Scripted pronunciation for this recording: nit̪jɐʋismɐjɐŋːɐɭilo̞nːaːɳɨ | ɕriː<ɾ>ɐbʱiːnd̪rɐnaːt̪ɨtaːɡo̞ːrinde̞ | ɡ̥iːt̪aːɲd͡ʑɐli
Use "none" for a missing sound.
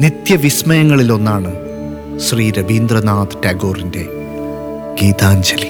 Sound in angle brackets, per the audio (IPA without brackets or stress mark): ɾ